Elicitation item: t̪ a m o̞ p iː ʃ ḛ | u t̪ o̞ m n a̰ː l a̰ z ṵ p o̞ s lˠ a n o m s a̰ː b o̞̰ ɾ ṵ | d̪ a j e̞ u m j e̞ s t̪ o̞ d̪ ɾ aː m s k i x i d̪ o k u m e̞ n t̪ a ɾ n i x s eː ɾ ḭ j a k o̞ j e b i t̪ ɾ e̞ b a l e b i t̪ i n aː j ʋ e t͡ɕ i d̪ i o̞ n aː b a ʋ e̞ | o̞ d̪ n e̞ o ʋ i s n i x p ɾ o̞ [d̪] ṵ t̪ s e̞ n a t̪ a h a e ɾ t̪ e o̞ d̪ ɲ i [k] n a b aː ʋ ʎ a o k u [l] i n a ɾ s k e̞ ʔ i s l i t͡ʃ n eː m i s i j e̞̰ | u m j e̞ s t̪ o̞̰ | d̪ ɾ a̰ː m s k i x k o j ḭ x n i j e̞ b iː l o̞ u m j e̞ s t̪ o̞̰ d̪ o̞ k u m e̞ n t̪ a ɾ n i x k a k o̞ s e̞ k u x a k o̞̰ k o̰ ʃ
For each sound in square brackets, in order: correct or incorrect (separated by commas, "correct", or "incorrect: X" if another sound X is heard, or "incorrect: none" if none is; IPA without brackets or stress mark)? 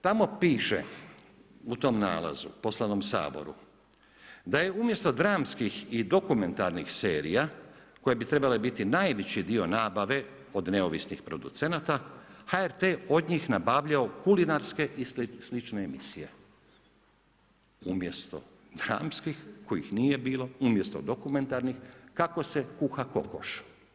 correct, incorrect: x, correct